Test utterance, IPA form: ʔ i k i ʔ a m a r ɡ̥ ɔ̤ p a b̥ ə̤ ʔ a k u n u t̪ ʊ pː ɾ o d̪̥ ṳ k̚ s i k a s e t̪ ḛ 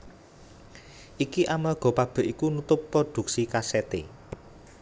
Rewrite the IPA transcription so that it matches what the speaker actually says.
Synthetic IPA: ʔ i k i ʔ a m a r ɡ̥ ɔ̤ p a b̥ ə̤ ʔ i k u n u t̪ ʊ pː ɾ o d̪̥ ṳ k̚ s i k a s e t̪ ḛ

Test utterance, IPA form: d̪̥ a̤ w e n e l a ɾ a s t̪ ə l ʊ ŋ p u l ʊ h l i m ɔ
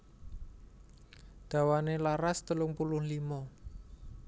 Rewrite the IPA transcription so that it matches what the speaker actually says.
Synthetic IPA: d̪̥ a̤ w a n e l a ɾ a s t̪ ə l ʊ ŋ p u l ʊ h l i m ɔ

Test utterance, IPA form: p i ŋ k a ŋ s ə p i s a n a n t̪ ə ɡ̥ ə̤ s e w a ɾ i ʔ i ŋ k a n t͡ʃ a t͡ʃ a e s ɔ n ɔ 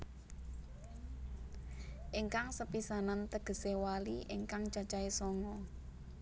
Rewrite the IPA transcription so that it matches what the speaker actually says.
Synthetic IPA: ʔ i ŋ k a ŋ s ə p i s a n a n t̪ ə ɡ̥ ə̤ s e w a l i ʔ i ŋ k a ŋ t͡ʃ a t͡ʃ a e s ɔ ŋ ɔ

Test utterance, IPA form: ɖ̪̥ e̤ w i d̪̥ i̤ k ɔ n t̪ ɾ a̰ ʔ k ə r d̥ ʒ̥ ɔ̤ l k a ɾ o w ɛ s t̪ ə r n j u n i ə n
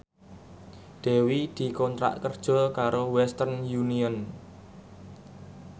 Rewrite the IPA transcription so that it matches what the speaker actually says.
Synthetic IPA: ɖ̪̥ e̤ w i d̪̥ i̤ k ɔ n t̪ ɾ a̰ ʔ k ə r d̥ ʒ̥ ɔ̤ l k a ɾ o w ɛ s t̪ ə r n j u n i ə n

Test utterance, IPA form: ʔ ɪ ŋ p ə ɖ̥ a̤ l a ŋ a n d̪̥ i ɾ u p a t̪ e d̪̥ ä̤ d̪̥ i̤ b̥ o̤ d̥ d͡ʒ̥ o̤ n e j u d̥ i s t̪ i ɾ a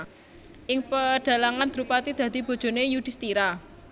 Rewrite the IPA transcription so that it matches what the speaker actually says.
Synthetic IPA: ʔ ɪ ŋ p ə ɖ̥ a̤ l a ŋ a n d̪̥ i ɾ u p a t̪ i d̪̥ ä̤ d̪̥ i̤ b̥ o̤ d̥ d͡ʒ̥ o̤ n e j u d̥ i s t̪ i ɾ a

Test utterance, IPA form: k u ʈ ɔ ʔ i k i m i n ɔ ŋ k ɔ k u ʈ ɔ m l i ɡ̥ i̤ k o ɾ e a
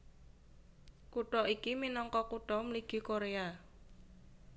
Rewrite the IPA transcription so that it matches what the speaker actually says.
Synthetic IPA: k u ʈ ɔ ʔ i k i m i n ɔ ŋ k ɔ k u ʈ ɔ m l i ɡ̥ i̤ k o ɾ e a

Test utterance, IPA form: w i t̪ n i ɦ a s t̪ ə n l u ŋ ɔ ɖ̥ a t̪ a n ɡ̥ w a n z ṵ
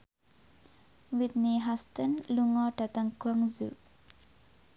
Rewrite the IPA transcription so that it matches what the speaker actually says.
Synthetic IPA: w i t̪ n i ɦ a s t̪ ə n l u ŋ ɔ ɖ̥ a t̪ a ŋ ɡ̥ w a ŋ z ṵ

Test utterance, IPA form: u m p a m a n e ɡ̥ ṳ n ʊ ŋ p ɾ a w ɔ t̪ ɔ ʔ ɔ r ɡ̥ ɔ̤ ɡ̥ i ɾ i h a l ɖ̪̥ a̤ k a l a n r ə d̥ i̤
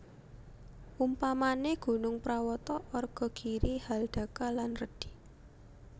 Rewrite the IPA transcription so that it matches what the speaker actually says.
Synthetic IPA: u m p a m a n e ɡ̥ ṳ n ʊ ŋ p ɾ a w ɔ t̪ ɔ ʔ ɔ r ɡ̥ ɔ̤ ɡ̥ i ɾ i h a l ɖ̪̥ a̤ k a l a n r ə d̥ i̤

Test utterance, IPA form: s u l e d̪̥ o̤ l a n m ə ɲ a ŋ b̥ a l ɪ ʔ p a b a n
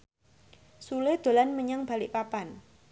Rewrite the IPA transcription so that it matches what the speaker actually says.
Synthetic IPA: s u l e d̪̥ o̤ l a n m ə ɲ a ŋ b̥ a l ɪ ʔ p a p a n

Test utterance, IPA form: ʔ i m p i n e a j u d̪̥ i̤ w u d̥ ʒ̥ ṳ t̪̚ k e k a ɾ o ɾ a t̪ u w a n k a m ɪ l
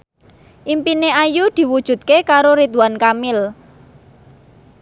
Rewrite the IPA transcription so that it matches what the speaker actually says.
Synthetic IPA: ʔ i m p i n e a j u d̪̥ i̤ w u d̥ ʒ̥ ṳ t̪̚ k e k a ɾ o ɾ i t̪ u w a n k a m ɪ l

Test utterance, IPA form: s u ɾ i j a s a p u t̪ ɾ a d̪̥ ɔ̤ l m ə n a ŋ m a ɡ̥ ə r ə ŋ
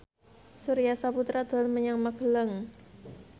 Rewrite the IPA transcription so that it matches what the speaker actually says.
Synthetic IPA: s u ɾ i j a s a p u t̪ ɾ a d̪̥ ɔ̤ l m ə ɲ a ŋ m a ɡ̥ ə l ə ŋ

